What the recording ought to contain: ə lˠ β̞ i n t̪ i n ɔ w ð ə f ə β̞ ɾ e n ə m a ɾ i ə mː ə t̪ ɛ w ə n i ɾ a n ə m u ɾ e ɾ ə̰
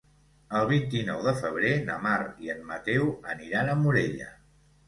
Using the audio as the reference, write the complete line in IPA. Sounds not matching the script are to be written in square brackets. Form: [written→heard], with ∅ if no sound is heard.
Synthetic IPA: ə lˠ β̞ i n t̪ i n ɔ w ð ə f ə β̞ ɾ e n ə m a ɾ i ə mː ə t̪ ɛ w ə n i ɾ a n ə m u ɾ e [ɾ→ʎ] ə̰